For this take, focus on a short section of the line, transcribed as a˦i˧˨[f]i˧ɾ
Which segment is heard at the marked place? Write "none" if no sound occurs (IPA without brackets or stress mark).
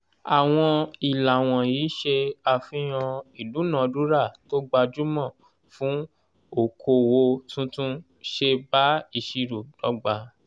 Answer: ʃ